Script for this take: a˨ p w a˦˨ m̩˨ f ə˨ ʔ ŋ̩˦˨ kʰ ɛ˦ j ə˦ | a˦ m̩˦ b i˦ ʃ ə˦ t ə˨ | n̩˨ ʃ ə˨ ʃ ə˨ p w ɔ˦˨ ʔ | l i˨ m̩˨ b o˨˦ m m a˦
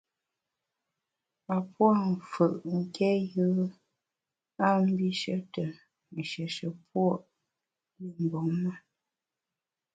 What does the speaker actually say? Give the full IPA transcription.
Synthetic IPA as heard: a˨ p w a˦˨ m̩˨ f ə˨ ʔ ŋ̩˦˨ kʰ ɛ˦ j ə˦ | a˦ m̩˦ b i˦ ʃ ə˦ t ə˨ | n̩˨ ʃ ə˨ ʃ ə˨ p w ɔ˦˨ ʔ | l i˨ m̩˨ b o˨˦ ŋ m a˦